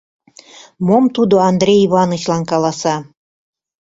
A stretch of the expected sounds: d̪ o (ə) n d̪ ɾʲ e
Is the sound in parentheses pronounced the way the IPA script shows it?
no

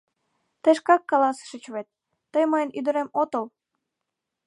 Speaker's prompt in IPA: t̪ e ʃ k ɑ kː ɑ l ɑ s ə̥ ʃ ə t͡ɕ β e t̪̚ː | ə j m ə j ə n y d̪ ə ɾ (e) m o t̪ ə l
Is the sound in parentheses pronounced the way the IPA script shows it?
yes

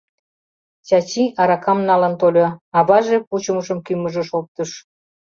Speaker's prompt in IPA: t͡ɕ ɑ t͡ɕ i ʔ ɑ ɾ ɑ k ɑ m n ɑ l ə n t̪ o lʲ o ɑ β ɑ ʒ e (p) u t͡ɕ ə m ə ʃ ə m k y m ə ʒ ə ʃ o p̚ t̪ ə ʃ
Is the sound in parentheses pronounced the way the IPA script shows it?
yes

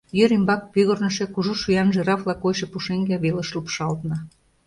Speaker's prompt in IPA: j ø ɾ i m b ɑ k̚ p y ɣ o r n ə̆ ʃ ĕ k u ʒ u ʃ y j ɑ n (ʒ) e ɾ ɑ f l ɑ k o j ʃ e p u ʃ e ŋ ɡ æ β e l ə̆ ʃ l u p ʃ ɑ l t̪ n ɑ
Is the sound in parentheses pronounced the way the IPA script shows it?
yes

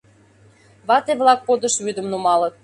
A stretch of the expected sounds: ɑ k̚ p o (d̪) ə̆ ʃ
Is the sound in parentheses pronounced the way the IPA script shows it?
yes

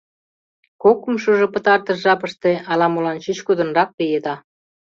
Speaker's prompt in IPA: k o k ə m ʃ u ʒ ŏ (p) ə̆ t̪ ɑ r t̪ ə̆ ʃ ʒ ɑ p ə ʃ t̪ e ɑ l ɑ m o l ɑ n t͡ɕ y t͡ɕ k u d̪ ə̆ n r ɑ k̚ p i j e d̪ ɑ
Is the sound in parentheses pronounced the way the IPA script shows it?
yes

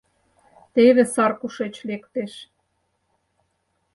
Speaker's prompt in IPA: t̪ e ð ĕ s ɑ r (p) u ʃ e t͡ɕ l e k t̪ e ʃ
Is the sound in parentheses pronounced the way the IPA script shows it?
no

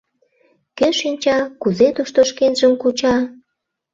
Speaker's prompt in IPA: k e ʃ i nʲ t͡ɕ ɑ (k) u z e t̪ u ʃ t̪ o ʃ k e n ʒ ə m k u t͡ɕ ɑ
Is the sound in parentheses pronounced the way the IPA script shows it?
yes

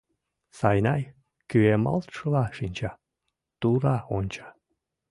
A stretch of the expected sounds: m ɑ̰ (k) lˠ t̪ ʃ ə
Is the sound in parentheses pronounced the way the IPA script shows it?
no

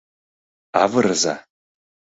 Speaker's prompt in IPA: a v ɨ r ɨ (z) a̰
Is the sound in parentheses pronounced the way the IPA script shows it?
yes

